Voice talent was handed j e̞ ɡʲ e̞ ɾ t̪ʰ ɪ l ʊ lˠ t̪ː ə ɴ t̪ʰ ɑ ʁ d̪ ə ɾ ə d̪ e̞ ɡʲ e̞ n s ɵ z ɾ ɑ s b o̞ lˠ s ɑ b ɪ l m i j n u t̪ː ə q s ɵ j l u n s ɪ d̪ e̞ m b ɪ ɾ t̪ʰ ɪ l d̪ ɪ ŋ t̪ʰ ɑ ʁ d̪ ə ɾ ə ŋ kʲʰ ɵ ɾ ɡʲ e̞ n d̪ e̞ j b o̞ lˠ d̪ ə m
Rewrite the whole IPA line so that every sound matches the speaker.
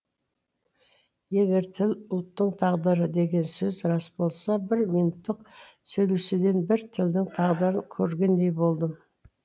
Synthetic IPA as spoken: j e̞ ɡʲ e̞ ɾ t̪ʰ ɪ l ʊ lˠ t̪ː ə ɴ t̪ʰ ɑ ʁ d̪ ə ɾ ə d̪ e̞ ɡʲ e̞ n s ɵ z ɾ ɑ s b o̞ lˠ s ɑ b ɪ ɾ m i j n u t̪ː ə q s ɵ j l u s ɪ d̪ e̞ n b ɪ ɾ t̪ʰ ɪ l d̪ ɪ ŋ t̪ʰ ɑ ʁ d̪ ə ɾ ə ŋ kʲʰ ɵ ɾ ɡʲ e̞ n d̪ e̞ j b o̞ lˠ d̪ ə m